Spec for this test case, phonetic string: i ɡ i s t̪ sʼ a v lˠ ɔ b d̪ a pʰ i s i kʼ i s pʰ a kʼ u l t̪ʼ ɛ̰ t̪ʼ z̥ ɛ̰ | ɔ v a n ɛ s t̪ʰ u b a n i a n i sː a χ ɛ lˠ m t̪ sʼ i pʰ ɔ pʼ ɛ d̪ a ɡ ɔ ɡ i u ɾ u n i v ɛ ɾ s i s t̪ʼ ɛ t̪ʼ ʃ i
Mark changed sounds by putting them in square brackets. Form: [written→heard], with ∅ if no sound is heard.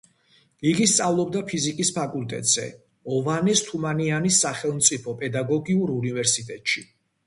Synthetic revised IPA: i ɡ i s t̪ sʼ a v lˠ ɔ b d̪ a pʰ i [s→z] i kʼ i s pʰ a kʼ u l t̪ʼ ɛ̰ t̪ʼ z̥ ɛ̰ | ɔ v a n ɛ s t̪ʰ u [b→m] a n i a n i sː a χ ɛ lˠ m t̪ sʼ i pʰ ɔ pʼ ɛ d̪ a ɡ ɔ ɡ i u ɾ u n i v ɛ ɾ s i [s→∅] t̪ʼ ɛ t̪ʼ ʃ i